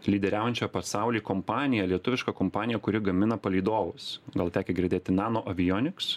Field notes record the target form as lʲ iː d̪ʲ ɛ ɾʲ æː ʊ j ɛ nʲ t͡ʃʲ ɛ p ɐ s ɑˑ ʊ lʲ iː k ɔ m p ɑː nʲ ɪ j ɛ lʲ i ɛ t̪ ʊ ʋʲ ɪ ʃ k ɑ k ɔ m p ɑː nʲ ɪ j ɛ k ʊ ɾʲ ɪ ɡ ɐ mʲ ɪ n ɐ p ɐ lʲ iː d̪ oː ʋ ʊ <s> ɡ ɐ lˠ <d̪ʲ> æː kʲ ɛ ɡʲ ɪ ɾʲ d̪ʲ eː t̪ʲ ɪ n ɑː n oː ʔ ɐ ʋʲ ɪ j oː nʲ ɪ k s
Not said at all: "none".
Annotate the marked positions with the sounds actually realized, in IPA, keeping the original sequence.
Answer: s, t̪ʲ

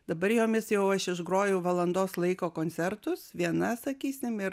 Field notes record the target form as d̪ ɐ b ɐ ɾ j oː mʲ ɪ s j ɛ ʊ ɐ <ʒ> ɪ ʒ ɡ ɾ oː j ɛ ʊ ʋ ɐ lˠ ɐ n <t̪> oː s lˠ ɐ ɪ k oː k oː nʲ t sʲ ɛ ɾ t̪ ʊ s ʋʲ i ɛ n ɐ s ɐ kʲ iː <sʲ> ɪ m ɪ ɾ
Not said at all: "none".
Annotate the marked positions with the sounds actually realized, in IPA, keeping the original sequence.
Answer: ʃ, d̪, sʲ

